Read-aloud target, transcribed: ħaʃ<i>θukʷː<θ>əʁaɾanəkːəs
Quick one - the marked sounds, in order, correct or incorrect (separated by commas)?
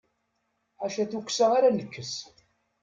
incorrect, incorrect